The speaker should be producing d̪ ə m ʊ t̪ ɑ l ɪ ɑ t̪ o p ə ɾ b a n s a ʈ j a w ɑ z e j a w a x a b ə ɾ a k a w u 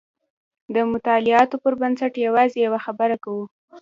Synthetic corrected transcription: d̪ ə m ʊ t̪ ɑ l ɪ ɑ t̪ o p ə ɾ b a n s a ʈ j a w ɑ z e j a w a x a b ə ɾ a k a w u